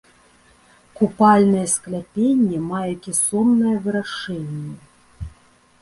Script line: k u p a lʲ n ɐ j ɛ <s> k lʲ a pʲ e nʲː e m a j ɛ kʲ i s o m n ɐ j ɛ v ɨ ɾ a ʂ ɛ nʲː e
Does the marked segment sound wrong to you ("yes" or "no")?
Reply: no